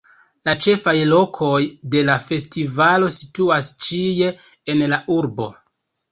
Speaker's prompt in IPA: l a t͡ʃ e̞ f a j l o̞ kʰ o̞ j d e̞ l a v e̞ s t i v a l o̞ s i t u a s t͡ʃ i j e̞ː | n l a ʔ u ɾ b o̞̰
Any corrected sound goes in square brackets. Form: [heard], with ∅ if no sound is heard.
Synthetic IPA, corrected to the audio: l a t͡ʃ e̞ f a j l o̞ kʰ o̞ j d e̞ l a [f] e̞ s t i v a l o̞ s i t u a s t͡ʃ i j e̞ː | n l a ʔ u ɾ b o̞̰